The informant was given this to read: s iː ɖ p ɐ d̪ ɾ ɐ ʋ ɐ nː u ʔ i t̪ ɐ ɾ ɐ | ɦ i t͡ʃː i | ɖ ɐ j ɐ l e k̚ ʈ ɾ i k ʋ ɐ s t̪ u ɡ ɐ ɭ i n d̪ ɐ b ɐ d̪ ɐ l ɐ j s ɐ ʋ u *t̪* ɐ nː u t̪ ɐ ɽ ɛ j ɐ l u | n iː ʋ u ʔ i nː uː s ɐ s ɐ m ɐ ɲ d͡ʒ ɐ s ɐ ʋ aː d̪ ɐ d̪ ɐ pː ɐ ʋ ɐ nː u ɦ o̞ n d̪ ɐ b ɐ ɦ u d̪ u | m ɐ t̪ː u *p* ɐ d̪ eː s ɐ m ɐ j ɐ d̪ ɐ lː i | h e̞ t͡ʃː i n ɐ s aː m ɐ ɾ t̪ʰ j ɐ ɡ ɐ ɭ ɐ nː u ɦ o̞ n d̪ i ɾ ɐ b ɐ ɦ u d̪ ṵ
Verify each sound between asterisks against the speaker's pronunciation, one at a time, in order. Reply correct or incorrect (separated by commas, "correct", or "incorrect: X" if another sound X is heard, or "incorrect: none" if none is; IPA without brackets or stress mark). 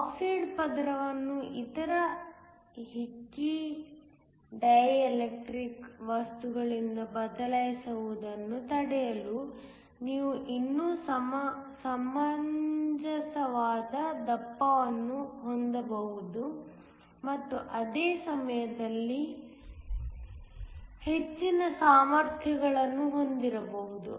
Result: incorrect: d̪, incorrect: ʔ